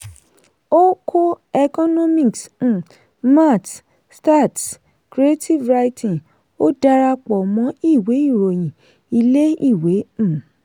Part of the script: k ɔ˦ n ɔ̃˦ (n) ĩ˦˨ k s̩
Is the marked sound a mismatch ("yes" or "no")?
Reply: yes